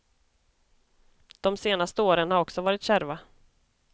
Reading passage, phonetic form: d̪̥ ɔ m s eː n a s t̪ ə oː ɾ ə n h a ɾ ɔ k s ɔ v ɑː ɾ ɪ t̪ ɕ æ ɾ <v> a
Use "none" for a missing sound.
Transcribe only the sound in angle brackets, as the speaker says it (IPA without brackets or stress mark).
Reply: v